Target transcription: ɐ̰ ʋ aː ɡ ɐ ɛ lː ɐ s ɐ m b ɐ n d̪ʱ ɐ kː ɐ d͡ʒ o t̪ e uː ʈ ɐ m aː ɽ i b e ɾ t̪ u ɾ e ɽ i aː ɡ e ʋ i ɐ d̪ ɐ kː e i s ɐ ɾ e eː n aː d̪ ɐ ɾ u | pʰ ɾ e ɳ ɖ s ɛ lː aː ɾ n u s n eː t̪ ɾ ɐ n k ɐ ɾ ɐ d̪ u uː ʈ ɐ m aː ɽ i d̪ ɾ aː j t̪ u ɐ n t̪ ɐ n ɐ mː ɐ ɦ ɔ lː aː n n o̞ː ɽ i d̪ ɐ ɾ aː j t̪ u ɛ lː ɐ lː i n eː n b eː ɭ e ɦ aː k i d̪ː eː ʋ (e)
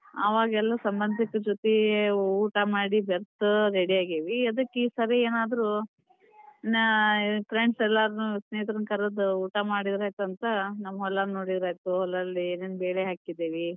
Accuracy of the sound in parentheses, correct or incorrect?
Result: incorrect